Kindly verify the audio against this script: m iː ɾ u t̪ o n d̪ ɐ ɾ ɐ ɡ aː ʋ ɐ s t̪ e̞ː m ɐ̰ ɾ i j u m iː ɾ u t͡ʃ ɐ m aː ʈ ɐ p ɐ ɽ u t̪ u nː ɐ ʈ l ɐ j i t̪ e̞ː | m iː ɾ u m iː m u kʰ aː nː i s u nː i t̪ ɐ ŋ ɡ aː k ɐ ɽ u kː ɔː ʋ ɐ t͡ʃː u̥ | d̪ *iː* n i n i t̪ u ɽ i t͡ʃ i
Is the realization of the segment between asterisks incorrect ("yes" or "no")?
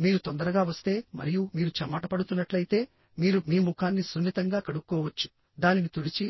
yes